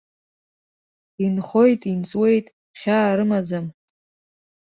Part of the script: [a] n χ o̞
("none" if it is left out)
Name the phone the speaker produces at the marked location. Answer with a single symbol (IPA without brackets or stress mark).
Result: i